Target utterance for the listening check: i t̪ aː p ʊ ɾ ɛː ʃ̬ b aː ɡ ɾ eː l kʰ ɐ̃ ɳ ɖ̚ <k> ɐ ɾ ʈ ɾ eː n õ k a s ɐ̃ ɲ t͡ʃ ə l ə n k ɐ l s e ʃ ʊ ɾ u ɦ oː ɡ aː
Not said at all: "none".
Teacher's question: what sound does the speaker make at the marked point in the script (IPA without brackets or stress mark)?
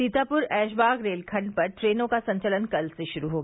p